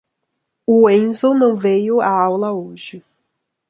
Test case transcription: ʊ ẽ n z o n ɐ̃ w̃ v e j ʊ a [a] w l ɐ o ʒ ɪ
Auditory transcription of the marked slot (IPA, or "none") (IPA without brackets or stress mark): a